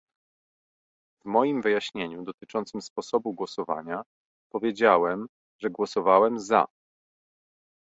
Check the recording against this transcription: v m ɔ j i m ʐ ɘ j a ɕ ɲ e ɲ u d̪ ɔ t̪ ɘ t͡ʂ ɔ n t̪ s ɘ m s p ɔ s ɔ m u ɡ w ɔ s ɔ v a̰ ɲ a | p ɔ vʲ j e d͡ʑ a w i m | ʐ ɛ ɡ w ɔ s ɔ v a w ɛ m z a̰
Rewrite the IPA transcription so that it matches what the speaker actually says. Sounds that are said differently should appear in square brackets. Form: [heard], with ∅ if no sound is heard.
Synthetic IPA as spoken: v m ɔ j i m [v] ɘ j a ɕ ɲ e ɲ u d̪ ɔ t̪ ɘ t͡ʂ ɔ n t̪ s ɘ m s p ɔ s ɔ [b] u ɡ w ɔ s ɔ v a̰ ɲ a | p ɔ vʲ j e d͡ʑ a w [ɛ] m | ʐ ɛ ɡ w ɔ s ɔ v a w ɛ m z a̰